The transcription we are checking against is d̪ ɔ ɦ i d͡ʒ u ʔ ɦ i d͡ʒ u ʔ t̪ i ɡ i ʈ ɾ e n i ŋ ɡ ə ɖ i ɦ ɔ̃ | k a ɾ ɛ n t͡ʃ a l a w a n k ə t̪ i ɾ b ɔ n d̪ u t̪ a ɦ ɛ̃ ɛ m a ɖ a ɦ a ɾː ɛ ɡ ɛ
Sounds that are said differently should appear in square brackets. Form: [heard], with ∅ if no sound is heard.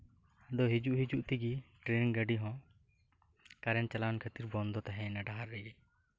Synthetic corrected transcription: d̪ ɔ ɦ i d͡ʒ u ʔ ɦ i d͡ʒ u ʔ t̪ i ɡ i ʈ ɾ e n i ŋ ɡ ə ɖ i ɦ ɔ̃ | k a ɾ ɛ n t͡ʃ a l a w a n [kʰ] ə t̪ i ɾ b ɔ n d̪ [ɔ] t̪ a ɦ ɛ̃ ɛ [n] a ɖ a ɦ a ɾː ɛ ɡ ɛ